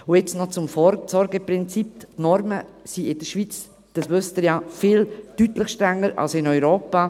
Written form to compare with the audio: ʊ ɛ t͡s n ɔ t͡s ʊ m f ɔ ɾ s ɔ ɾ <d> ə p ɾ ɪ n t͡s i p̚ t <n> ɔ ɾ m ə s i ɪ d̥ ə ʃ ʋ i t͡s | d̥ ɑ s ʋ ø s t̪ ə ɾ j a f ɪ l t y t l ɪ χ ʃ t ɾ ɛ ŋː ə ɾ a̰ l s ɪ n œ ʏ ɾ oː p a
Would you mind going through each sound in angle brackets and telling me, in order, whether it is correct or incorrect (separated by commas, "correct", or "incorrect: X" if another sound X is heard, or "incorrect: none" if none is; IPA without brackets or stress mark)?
incorrect: ɡ, correct